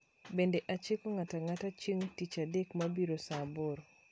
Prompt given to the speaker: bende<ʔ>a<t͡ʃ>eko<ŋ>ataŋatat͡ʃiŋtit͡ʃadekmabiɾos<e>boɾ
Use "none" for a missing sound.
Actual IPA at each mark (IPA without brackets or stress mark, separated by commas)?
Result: ʔ, t͡ʃ, ŋ, a